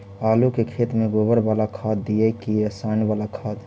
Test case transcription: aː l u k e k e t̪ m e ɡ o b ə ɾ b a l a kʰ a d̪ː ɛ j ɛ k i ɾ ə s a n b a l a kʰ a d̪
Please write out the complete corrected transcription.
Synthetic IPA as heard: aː l u k e kʰ e t̪ m e ɡ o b ə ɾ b a l a kʰ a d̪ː i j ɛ k i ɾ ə s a n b a l a kʰ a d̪